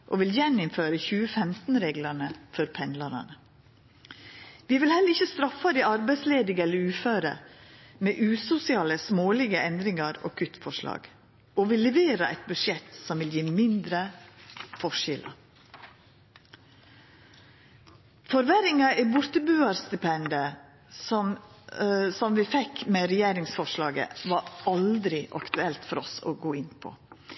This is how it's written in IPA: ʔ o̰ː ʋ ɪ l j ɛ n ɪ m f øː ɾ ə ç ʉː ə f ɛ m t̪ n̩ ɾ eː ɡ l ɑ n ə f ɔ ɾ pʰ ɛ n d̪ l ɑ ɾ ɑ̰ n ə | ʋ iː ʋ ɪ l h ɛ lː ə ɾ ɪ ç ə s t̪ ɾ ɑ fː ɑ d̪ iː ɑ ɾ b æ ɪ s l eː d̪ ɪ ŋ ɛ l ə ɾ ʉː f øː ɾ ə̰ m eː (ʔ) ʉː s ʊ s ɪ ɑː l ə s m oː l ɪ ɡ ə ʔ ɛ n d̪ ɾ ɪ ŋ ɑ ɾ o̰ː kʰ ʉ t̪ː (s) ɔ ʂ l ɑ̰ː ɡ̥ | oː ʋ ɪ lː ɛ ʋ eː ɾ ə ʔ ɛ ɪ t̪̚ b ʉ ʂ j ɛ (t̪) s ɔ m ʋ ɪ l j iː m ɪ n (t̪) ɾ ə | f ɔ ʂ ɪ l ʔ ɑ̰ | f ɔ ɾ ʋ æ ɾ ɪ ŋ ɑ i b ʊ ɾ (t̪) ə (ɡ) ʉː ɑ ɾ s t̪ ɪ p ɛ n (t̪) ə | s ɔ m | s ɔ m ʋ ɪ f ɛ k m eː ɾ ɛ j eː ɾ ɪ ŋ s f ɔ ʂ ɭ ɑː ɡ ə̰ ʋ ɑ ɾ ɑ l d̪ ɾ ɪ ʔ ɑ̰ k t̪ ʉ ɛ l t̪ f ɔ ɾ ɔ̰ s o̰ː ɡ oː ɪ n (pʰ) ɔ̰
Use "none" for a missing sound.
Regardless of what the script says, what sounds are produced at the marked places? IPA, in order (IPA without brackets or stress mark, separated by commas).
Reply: ʔ, f, t̪, d̪, t̪, b, d̪, pʰ